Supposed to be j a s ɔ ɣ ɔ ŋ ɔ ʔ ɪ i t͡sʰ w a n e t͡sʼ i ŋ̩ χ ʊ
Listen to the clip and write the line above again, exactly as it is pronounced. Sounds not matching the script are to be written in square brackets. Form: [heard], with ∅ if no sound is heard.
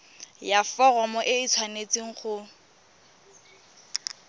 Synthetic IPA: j a [f] ɔ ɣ ɔ [m] ɔ ʔ ɪ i t͡sʰ w a n e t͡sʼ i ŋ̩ χ ʊ